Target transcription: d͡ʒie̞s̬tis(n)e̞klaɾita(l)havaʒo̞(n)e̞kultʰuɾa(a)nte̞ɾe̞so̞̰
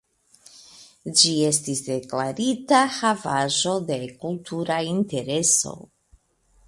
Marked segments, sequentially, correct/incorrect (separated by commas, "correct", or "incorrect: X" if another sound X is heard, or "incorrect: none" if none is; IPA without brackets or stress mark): incorrect: d, incorrect: none, incorrect: d, incorrect: i